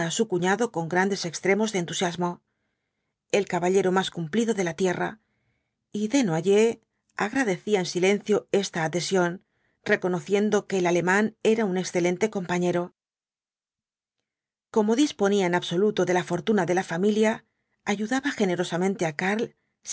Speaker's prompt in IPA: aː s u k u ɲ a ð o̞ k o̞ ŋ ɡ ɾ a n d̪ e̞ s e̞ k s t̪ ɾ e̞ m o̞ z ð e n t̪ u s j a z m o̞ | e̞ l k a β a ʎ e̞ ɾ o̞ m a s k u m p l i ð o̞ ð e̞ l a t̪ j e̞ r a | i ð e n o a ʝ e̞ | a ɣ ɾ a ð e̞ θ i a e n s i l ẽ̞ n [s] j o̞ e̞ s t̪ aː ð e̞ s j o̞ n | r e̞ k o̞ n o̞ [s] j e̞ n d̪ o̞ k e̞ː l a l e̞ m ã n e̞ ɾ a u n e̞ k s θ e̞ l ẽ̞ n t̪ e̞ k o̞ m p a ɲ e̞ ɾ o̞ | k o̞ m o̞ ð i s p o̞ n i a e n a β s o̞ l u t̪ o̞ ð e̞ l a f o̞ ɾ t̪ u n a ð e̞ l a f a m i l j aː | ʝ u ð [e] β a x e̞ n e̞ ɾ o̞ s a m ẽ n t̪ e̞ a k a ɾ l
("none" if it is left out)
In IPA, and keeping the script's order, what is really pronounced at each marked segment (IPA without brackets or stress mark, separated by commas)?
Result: θ, θ, a